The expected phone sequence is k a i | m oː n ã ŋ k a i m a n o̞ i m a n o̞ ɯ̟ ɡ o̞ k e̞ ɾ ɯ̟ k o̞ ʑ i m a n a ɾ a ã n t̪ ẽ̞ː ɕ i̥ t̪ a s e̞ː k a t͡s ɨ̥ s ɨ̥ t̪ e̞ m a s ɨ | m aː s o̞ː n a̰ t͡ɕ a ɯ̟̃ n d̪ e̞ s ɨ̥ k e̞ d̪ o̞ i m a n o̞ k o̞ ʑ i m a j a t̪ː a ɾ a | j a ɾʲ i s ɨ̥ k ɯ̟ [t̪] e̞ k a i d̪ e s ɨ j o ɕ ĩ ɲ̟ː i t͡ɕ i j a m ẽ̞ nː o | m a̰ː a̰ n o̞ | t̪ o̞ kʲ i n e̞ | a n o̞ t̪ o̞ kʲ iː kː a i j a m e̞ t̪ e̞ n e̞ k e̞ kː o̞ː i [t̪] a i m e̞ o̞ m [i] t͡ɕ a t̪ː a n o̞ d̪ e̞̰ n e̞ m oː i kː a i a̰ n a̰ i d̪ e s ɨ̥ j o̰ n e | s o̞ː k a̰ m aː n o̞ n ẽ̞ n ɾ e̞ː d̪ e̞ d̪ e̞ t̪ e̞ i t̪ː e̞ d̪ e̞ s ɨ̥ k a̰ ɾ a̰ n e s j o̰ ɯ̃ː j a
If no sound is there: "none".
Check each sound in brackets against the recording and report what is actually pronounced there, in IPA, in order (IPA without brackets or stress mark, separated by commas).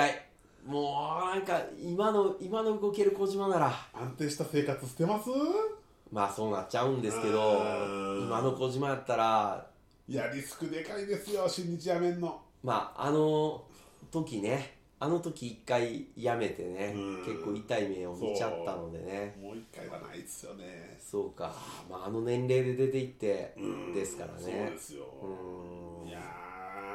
d̪, t̪, i